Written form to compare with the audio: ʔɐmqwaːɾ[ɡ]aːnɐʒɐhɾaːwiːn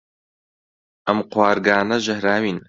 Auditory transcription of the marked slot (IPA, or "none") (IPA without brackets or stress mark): ɡ